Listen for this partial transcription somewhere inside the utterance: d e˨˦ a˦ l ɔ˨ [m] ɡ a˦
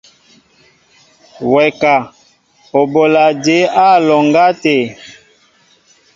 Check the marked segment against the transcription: incorrect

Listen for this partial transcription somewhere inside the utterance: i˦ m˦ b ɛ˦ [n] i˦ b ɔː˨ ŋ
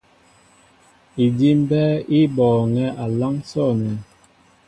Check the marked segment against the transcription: incorrect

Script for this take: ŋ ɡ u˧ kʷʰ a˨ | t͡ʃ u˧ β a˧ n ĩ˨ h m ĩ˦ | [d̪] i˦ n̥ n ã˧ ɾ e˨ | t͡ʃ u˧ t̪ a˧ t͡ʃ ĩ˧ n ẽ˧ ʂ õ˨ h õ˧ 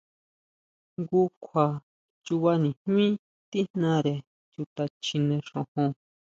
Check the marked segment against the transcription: incorrect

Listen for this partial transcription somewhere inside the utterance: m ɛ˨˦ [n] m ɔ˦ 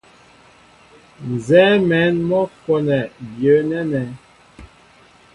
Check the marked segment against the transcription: correct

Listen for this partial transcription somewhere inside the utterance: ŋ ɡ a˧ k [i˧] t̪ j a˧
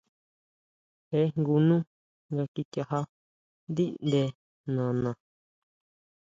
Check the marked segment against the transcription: correct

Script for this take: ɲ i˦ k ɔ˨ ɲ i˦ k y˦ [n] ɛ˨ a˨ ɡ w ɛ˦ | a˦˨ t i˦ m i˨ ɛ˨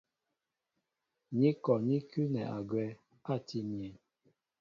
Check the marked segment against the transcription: correct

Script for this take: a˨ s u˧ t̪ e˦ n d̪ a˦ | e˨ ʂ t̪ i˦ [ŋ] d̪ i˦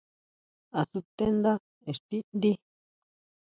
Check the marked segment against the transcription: incorrect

